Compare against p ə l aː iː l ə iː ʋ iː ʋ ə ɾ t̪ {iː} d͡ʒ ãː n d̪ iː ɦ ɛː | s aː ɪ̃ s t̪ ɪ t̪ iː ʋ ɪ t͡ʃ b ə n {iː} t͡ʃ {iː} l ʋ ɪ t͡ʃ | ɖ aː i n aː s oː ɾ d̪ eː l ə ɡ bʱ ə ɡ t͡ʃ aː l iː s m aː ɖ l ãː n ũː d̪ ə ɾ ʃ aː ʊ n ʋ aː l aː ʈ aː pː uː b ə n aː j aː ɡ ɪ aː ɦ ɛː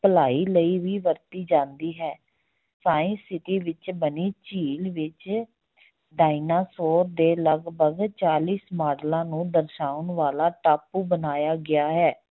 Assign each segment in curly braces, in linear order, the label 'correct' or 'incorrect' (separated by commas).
correct, correct, correct